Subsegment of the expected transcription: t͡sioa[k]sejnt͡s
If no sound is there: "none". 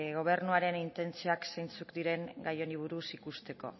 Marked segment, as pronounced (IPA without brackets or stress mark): k